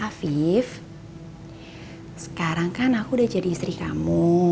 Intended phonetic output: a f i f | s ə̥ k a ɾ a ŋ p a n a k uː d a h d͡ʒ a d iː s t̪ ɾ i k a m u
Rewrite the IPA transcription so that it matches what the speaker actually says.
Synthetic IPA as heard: a f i f | s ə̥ k a ɾ a ŋ k a n a k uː d a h d͡ʒ a d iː s t̪ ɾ i k a m u